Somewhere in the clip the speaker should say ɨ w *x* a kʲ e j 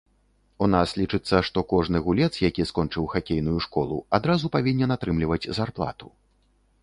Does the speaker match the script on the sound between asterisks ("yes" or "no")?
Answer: yes